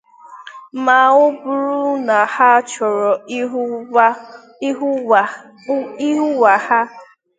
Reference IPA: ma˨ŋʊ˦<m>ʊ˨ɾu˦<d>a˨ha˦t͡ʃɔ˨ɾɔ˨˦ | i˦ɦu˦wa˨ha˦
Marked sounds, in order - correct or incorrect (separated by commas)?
incorrect, incorrect